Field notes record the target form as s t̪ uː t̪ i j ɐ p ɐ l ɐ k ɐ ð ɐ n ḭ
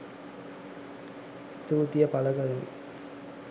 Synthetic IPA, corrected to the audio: s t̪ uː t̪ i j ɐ p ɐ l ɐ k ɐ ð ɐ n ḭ